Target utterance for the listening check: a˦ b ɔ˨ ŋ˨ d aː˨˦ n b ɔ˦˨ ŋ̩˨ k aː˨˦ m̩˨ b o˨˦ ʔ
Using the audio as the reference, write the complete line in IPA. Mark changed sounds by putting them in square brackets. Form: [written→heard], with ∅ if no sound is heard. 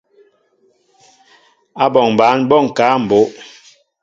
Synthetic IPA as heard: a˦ b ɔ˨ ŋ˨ [d→b] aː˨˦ n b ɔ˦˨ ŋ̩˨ k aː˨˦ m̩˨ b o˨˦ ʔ